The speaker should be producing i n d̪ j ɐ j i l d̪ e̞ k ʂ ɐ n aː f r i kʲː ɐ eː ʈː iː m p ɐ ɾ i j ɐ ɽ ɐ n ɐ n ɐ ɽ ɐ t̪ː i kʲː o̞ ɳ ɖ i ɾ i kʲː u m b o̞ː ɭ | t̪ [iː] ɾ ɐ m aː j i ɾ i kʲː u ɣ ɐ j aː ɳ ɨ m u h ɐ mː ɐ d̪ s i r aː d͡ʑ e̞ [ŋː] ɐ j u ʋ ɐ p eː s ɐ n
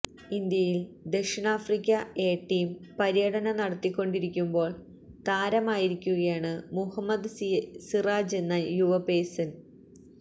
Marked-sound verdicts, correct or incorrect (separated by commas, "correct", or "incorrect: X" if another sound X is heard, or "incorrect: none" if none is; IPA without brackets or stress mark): incorrect: aː, incorrect: nː